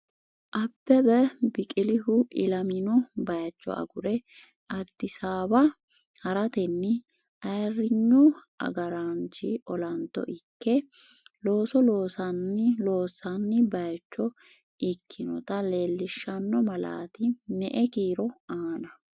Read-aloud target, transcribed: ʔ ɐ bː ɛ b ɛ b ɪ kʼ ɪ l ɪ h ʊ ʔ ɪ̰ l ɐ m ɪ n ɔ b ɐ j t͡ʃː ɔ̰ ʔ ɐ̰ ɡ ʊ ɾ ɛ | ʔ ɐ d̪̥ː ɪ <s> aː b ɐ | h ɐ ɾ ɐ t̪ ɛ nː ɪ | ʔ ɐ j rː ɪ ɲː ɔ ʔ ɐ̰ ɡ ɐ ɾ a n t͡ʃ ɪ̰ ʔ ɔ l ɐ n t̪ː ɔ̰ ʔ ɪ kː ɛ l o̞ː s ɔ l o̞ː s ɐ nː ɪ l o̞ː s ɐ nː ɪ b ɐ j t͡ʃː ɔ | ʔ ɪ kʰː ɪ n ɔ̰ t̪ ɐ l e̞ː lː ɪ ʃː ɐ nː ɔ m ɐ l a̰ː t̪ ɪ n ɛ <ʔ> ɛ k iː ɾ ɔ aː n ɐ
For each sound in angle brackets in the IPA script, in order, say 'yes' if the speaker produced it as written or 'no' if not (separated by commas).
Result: yes, yes